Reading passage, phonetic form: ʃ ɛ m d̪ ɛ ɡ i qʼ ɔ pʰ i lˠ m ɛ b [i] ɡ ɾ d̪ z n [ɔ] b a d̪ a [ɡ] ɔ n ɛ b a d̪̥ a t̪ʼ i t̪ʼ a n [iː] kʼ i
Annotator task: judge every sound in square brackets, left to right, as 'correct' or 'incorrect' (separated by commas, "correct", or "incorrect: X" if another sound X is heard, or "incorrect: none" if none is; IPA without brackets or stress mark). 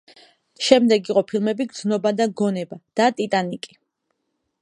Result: correct, correct, correct, incorrect: i